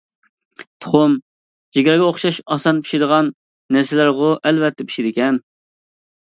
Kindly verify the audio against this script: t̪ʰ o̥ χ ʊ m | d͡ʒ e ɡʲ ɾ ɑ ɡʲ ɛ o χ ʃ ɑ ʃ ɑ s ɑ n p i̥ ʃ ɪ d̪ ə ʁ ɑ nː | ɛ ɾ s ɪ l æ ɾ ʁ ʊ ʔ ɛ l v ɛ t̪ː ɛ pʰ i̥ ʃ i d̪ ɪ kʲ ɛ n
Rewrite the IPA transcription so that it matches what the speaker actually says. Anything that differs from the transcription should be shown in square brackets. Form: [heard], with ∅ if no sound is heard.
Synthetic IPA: t̪ʰ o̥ χ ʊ m | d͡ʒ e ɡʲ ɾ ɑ ɡʲ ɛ o χ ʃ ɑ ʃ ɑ s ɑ n p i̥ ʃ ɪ d̪ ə ʁ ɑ nː | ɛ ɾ s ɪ l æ ɾ ʁ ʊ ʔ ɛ l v ɛ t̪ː ɛ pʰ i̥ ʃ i d̪ ɪ kʲ ɛ n